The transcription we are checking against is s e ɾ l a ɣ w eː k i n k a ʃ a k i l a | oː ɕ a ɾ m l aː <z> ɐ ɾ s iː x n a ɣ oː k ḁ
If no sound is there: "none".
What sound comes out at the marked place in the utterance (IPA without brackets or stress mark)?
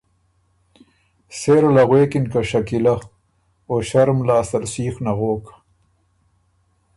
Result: s